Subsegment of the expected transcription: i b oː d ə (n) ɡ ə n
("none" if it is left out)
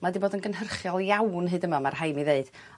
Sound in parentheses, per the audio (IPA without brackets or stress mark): n